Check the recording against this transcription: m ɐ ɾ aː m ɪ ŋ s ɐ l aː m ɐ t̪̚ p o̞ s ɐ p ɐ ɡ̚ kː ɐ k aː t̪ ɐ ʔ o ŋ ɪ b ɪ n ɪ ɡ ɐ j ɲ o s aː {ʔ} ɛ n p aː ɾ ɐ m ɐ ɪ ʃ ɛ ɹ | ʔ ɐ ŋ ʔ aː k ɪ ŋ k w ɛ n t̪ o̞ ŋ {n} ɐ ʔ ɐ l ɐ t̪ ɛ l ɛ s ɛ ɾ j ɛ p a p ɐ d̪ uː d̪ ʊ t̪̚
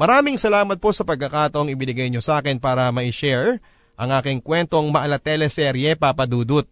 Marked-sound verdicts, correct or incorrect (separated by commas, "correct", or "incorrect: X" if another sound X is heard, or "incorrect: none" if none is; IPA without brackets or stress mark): incorrect: k, incorrect: m